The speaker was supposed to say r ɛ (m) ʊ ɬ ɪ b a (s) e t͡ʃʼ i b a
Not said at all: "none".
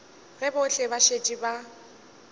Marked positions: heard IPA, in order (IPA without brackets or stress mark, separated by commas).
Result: b, ʃ